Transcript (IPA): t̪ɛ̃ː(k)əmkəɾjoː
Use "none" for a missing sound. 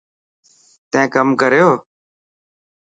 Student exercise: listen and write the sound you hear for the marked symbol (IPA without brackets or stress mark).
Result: k